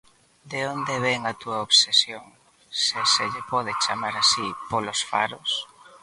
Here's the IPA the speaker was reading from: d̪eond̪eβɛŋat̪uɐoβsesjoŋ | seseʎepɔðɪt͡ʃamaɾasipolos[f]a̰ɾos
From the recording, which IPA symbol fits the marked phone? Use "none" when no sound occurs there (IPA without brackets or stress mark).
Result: f